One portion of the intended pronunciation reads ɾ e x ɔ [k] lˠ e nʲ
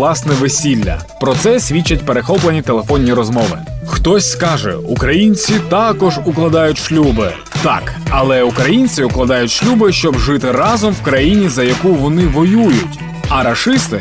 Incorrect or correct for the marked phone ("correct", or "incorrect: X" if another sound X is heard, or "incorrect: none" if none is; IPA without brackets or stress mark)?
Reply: incorrect: p